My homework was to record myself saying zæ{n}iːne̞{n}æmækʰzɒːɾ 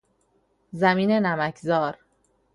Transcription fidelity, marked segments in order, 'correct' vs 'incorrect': incorrect: m, correct

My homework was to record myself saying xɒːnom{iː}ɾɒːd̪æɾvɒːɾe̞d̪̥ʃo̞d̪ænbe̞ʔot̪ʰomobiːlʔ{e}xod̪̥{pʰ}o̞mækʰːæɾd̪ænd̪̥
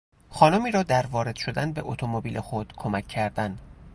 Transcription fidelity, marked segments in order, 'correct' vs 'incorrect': correct, correct, incorrect: kʰ

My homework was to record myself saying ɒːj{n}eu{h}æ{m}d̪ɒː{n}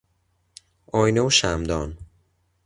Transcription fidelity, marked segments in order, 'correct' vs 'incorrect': correct, incorrect: ʃ, correct, correct

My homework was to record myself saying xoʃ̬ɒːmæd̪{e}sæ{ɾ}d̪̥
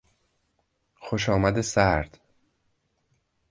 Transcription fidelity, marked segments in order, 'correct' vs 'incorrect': correct, correct

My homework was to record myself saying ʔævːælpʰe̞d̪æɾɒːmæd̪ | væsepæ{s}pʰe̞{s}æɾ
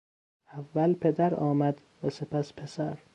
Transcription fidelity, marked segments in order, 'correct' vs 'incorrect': correct, correct

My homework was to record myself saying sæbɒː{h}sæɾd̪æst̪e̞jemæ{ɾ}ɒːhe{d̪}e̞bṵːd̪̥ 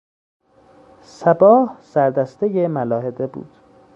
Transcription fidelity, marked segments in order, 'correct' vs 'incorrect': correct, incorrect: l, correct

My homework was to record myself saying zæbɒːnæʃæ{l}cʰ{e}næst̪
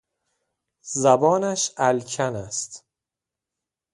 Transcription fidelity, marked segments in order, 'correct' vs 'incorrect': correct, incorrect: æ

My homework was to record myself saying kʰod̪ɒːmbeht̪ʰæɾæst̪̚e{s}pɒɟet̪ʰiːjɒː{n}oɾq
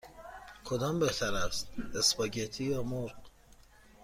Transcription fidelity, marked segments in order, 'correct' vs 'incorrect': correct, incorrect: m

